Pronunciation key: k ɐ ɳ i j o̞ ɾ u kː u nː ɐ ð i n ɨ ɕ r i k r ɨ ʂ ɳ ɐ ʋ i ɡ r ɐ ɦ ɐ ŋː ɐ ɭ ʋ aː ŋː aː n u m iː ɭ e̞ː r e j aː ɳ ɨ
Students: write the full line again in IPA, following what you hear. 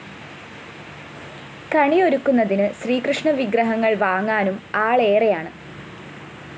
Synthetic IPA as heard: k ɐ ɳ i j o̞ ɾ u kː u nː ɐ ð i n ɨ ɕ r iː k r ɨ ʂ ɳ ɐ ʋ i ɡ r ɐ ɦ ɐ ŋː ɐ ɭ ʋ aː ŋː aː n u m aː ɭ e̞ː r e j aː ɳ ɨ